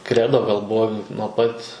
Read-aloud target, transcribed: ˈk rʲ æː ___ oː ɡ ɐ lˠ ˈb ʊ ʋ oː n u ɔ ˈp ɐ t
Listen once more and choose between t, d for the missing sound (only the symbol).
d